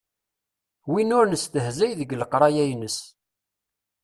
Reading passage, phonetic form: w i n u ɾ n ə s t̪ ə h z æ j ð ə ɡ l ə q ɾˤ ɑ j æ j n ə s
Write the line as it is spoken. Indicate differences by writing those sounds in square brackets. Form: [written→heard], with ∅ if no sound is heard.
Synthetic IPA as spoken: w i n [u→ʊ] ɾ n ə s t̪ ə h z æ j ð ə ɡ l ə q ɾˤ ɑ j æ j n ə s